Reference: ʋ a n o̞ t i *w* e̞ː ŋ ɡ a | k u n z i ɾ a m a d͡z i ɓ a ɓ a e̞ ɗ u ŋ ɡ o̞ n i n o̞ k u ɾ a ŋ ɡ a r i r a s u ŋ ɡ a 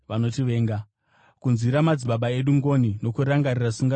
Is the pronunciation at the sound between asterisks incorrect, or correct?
incorrect